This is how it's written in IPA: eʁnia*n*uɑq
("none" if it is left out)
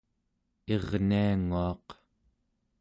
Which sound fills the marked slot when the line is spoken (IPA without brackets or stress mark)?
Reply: ŋ